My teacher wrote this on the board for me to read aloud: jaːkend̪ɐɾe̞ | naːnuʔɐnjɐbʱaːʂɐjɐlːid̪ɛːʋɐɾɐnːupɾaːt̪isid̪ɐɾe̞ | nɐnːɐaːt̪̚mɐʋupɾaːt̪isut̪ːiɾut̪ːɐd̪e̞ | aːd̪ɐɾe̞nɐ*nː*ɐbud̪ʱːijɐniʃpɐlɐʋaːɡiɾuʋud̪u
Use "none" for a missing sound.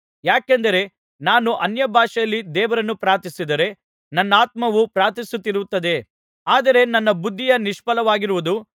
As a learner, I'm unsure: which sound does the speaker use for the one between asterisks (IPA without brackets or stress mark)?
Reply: nː